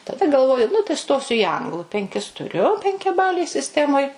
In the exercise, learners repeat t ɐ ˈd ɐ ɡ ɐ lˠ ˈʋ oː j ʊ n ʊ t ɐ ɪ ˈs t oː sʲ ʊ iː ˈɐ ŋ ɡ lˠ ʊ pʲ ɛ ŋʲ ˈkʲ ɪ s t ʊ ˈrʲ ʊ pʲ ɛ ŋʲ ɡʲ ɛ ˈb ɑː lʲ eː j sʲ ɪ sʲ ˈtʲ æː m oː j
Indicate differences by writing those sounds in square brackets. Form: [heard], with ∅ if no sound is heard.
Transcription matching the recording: t ɐ ˈd ɐ ɡ ɐ lˠ ˈʋ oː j ʊ n ʊ t ɐ ɪ ˈs t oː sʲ ʊ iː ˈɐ ŋ ɡ lˠ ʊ pʲ ɛ ŋʲ ˈkʲ ɪ s t ʊ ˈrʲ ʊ pʲ ɛ ŋʲ [kʲ] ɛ ˈb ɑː lʲ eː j sʲ ɪ sʲ ˈtʲ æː m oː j